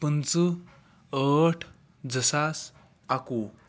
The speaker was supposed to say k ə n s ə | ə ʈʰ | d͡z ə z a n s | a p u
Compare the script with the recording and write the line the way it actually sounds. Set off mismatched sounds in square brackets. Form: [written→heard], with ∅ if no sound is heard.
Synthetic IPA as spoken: [k→p] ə n [s→t͡s] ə | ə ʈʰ | d͡z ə [z→s] a [n→∅] s | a [p→k] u

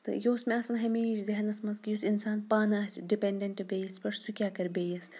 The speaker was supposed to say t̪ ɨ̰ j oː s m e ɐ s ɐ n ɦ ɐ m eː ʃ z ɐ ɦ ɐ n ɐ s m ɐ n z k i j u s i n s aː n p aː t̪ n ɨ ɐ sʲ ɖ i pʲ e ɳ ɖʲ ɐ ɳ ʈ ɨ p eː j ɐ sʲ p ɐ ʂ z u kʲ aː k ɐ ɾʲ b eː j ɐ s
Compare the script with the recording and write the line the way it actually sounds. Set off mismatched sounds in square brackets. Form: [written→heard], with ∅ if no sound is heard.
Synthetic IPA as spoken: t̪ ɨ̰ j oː s m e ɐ s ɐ n ɦ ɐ m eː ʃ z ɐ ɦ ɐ n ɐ s m ɐ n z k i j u s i n s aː n p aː [t̪→∅] n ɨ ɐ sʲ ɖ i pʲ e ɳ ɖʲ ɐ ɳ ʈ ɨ [p→b] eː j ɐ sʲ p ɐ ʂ [z→s] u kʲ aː k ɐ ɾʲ b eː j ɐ s

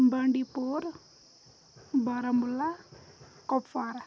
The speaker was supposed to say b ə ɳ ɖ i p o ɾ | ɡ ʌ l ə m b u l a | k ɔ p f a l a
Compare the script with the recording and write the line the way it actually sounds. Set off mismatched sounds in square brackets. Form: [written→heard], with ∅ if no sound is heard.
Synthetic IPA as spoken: b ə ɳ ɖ i p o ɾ | [ɡ→b] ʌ [l→ɾ] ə m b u l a | k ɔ p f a [l→ɾ] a

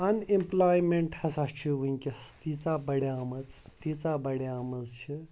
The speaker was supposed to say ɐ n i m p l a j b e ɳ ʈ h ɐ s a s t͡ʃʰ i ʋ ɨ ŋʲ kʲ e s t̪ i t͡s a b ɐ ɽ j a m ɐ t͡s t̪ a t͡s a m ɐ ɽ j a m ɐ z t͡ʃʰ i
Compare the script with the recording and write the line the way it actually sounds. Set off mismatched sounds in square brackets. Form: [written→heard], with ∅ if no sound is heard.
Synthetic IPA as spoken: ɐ n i m p l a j [b→m] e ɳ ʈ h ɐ s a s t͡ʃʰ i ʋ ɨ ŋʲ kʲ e s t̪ i t͡s a b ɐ ɽ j a m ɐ t͡s t̪ [a→i] t͡s a [m→b] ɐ ɽ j a m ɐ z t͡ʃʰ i

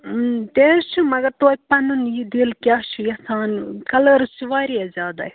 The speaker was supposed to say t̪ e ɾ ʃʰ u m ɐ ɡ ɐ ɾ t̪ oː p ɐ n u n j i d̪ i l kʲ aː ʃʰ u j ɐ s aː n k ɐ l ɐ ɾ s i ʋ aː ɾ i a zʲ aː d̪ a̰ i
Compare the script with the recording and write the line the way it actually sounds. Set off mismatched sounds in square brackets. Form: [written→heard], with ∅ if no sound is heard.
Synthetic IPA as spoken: t̪ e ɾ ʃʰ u m ɐ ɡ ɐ ɾ t̪ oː p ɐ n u n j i d̪ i l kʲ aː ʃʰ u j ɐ s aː n k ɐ l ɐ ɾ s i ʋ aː ɾ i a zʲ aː d̪ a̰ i

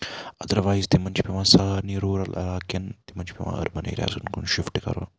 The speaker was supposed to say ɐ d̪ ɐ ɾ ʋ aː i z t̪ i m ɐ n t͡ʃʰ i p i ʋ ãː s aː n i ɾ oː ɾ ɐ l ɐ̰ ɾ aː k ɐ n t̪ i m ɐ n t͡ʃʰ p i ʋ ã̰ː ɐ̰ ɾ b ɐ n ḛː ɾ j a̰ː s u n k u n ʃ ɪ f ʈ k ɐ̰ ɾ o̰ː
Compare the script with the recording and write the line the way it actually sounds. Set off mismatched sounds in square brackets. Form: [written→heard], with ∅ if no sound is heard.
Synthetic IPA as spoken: ɐ d̪ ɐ ɾ ʋ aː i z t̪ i m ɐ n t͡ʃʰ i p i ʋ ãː s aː n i ɾ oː ɾ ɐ l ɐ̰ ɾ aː k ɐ n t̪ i m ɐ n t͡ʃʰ p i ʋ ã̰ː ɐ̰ ɾ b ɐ n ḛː ɾ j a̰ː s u n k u n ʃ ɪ f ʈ k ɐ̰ ɾ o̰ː

